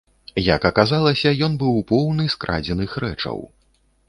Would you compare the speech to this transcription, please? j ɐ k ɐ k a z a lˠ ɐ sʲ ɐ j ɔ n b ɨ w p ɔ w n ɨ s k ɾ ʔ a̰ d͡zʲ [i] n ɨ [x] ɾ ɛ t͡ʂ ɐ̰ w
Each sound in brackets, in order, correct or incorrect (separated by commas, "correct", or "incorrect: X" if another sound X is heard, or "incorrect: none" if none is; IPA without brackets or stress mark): incorrect: ɛ, correct